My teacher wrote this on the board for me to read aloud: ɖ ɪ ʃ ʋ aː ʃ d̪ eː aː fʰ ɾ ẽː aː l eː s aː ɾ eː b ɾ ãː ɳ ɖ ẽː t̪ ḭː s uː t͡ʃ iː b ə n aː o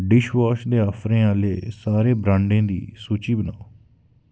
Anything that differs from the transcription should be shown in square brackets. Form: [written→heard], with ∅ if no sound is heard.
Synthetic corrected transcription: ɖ ɪ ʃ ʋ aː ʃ d̪ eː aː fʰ ɾ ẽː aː l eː s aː ɾ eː b ɾ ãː ɳ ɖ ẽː [t̪→d̪] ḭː s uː t͡ʃ iː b ə n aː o